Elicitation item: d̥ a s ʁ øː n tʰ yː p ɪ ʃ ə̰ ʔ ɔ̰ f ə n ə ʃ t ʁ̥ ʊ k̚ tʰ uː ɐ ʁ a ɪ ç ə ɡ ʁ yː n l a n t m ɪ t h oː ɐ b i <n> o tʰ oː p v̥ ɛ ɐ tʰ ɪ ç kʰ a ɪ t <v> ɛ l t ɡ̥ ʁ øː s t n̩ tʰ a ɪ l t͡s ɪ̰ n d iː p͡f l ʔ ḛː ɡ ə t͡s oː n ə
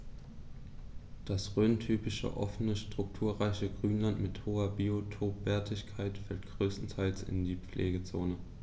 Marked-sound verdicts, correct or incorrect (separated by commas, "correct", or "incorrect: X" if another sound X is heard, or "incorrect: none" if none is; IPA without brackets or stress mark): incorrect: none, incorrect: f